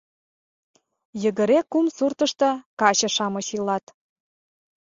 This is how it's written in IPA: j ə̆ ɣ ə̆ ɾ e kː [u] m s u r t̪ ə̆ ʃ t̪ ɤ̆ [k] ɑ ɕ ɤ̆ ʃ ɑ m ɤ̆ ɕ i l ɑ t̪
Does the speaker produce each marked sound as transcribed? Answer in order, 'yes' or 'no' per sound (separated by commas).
yes, yes